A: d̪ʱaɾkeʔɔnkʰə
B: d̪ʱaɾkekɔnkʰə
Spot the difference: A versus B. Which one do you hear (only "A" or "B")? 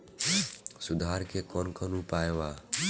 B